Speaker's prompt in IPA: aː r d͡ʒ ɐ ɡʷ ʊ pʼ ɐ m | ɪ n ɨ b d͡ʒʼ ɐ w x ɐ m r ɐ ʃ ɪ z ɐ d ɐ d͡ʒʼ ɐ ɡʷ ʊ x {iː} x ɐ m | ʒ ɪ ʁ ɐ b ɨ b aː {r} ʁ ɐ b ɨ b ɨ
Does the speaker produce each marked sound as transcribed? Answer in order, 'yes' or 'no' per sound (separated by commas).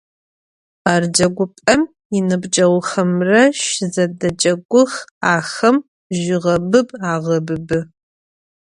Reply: no, no